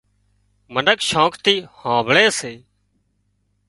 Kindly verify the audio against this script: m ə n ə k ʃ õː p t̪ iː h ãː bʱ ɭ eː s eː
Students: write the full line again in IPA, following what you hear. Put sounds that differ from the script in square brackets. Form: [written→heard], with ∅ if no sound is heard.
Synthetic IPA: m ə n ə k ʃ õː [p→k] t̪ iː h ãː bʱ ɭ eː s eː